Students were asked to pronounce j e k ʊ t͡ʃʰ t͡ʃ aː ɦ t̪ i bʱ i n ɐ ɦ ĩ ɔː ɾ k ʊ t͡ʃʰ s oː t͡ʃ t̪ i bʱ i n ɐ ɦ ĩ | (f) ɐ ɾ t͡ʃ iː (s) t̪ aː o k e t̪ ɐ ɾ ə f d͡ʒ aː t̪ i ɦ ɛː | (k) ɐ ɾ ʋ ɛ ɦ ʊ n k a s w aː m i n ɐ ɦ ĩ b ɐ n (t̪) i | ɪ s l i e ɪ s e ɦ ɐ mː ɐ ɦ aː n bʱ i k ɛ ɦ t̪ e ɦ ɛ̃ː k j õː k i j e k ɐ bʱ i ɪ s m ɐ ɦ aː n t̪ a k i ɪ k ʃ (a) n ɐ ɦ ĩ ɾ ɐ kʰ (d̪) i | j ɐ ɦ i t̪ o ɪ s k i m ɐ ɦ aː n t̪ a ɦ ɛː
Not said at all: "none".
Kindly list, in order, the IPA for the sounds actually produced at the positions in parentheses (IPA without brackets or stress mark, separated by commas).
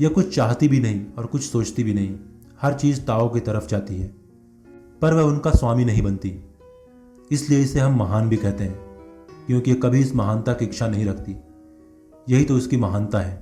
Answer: h, z, p, t̪, a, t̪